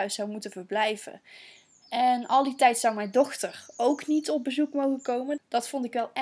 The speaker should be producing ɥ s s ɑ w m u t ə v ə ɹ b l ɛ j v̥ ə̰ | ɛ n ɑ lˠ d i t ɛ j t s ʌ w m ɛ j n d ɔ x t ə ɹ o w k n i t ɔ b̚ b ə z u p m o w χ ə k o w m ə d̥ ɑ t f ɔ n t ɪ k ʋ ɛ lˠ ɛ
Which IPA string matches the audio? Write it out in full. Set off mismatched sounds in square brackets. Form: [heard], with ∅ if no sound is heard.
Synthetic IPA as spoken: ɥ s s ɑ w m u t ə v ə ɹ b l ɛ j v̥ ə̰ | ɛ n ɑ lˠ d i t ɛ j t s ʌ w m ɛ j n d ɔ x t ə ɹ o w k n i t ɔ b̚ b ə z u [k] m o w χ ə k o w m ə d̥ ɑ t f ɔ n t ɪ k ʋ ɛ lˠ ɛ